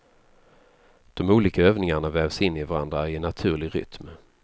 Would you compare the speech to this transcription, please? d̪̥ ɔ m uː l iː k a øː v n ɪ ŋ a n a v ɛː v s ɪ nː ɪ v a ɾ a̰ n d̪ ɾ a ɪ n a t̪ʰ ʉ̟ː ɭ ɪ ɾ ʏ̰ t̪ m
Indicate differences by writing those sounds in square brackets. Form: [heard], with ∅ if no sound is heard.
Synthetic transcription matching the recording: d̪̥ ɔ m uː l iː k a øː v n ɪ ŋ a [ɳ] a v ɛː v s ɪ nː ɪ v a ɾ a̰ n d̪ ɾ a ɪ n a t̪ʰ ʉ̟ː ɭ ɪ ɾ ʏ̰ t̪ m